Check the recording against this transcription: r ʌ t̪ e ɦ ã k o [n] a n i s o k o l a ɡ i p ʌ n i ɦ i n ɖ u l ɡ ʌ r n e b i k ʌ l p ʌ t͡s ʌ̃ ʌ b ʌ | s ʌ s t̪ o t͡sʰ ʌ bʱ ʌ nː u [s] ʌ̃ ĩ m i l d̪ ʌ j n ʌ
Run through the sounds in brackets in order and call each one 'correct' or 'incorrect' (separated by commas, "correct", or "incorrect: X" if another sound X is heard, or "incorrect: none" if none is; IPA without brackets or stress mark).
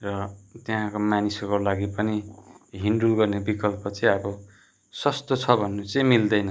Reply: incorrect: m, incorrect: t͡s